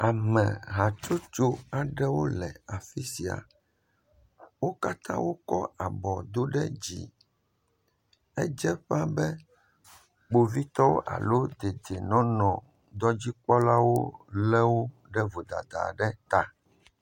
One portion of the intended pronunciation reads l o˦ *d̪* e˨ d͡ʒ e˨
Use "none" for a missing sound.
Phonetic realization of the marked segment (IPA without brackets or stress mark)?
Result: d̪